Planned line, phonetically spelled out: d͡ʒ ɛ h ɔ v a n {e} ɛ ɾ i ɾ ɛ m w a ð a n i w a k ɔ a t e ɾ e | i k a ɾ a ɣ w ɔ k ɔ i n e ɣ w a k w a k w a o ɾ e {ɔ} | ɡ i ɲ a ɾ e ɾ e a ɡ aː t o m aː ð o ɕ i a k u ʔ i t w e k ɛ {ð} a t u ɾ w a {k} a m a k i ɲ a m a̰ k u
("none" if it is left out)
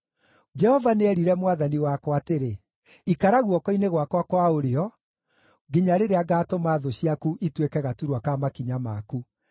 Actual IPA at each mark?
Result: e, ɔ, ɣ, k

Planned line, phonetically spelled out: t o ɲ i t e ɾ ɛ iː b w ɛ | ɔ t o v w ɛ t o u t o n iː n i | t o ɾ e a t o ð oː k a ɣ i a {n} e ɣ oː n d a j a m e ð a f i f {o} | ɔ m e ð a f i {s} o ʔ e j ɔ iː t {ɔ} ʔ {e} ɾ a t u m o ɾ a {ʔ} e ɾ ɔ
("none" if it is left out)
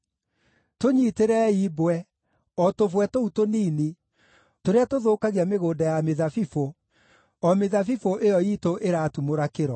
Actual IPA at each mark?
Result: m, o, f, o, e, k

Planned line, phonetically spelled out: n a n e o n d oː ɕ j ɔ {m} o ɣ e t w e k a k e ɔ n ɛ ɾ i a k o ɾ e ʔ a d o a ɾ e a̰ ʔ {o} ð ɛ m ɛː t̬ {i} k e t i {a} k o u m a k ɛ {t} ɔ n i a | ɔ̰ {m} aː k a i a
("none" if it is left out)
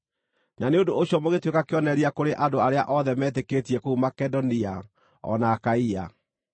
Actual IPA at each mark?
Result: m, ɔ, e, ɛ, d, n

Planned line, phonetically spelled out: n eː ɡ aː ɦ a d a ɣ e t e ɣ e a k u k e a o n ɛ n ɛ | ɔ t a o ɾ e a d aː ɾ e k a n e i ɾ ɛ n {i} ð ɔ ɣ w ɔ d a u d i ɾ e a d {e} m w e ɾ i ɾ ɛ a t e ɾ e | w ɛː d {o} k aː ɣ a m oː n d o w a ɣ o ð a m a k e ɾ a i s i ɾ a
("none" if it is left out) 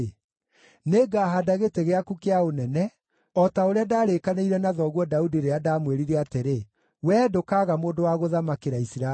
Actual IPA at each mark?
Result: a, a, o

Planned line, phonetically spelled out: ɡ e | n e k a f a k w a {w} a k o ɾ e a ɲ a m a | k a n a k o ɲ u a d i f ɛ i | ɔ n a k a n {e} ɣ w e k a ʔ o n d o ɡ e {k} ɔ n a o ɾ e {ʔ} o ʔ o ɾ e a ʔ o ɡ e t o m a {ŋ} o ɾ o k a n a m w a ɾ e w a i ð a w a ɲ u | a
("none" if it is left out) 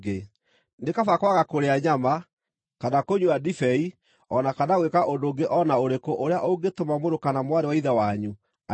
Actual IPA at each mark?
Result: ɣ, a, ʔ, k, m

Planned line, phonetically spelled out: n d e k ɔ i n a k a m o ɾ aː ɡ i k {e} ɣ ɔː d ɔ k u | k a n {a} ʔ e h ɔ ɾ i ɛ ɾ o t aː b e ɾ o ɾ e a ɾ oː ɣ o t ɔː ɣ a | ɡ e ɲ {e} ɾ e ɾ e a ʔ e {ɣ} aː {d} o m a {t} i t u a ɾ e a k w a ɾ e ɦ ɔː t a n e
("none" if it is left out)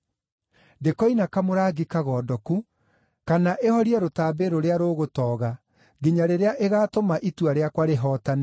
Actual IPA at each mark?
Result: a, a, a, ɣ, t, ʔ

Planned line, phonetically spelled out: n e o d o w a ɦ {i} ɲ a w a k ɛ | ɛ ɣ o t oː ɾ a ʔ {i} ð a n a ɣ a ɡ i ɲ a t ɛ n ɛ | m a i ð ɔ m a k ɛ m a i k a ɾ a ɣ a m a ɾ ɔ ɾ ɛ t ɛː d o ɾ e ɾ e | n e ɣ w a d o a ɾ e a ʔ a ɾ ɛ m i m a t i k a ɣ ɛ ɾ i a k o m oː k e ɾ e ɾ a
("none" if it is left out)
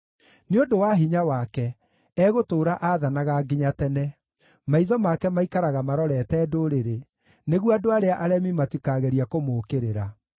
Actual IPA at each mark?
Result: i, a

